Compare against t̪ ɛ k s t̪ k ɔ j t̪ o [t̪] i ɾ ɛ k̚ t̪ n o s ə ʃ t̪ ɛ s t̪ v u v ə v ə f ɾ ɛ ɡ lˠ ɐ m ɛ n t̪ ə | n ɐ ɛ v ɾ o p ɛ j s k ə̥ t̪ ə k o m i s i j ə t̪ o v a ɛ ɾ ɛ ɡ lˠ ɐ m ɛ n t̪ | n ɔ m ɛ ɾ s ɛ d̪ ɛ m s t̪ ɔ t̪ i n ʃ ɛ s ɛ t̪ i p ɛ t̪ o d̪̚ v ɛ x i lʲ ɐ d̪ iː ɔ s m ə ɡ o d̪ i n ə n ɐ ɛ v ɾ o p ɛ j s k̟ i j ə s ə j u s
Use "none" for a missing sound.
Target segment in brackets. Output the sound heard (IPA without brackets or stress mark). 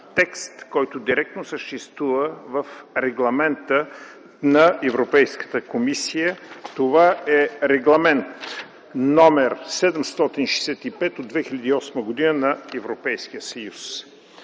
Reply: d̪